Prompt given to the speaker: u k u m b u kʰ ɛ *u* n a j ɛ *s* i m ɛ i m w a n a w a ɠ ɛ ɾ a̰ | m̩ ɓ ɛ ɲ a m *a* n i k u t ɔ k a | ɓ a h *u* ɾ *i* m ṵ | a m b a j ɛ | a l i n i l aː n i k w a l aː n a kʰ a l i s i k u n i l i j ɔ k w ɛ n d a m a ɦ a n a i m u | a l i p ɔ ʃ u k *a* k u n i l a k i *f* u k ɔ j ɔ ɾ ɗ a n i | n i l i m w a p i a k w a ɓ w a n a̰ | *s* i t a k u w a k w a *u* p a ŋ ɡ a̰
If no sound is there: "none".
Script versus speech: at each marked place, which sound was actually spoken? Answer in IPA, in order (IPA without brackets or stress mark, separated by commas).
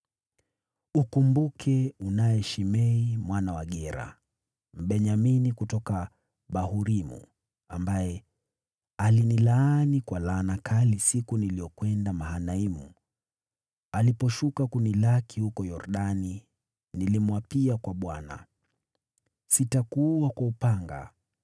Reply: u, ʃ, i, u, i, a, h, s, u